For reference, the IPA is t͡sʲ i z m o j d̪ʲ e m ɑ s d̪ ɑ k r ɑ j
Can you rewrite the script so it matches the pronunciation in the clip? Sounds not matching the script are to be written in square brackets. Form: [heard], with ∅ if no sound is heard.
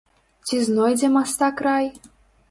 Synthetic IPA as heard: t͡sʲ i z [n] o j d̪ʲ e m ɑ s [t̪] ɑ k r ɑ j